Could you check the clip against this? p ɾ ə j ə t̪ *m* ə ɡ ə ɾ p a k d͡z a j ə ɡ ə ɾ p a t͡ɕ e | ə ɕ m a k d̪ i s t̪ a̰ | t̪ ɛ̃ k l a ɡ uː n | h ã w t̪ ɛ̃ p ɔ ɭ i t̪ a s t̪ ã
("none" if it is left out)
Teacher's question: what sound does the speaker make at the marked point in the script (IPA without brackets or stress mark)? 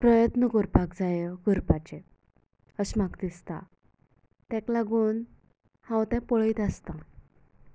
n